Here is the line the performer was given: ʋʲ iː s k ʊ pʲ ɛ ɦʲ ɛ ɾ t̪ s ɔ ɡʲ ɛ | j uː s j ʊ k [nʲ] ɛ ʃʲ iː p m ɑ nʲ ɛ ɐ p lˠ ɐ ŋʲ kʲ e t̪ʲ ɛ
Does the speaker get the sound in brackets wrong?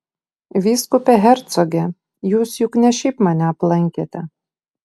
no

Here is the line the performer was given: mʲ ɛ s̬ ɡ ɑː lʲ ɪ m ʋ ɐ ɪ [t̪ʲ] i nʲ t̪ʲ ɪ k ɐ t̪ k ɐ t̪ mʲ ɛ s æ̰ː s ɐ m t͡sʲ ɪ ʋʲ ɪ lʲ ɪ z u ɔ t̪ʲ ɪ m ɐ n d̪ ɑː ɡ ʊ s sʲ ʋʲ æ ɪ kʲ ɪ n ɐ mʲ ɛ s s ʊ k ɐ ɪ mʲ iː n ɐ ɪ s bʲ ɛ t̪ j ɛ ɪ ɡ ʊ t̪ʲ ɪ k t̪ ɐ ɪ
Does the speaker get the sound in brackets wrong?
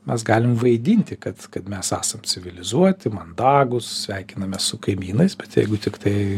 yes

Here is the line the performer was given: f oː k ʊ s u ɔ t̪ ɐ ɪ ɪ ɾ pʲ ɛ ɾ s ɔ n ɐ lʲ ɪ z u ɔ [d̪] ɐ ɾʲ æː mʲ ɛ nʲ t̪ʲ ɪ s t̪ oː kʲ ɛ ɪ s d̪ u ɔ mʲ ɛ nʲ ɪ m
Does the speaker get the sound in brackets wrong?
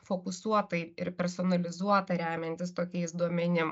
yes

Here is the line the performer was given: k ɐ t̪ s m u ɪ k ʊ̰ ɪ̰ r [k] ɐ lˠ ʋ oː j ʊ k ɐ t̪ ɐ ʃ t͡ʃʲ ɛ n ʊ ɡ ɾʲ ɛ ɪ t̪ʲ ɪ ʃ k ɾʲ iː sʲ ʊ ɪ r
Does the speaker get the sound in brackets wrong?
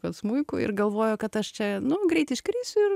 yes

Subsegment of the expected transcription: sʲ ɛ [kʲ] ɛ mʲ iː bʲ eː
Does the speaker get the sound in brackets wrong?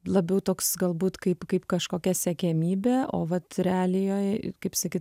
no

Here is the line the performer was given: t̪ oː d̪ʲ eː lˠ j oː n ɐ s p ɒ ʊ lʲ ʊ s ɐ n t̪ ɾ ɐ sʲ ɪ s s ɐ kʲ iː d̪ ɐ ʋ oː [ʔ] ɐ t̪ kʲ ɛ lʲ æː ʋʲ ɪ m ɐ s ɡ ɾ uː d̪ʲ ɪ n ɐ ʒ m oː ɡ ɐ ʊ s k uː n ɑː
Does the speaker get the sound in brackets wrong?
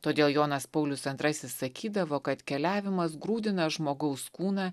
yes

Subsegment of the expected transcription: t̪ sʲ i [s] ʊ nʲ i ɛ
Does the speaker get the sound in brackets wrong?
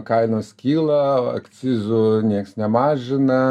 yes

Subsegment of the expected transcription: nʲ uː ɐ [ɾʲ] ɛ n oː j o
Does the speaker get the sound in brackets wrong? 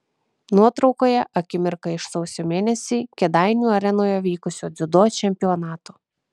no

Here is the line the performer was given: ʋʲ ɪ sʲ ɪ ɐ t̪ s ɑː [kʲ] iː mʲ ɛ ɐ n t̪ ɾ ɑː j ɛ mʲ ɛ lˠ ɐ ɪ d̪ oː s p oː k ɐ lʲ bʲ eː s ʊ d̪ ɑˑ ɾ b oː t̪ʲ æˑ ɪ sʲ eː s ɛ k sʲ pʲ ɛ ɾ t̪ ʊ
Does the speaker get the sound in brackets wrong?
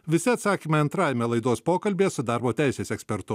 no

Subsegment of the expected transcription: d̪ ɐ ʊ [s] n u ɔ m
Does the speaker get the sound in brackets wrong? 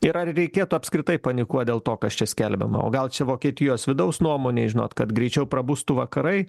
no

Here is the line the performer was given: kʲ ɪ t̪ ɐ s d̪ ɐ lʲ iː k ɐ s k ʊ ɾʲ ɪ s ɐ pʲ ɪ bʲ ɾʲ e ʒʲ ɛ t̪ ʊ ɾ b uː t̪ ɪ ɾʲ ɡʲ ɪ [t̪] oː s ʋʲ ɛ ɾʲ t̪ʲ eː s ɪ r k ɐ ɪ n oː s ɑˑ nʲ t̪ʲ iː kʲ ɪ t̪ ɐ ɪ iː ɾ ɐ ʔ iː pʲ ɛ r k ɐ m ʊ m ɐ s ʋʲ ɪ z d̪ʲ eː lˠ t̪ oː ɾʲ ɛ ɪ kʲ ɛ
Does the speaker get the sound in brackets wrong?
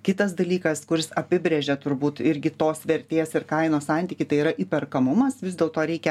no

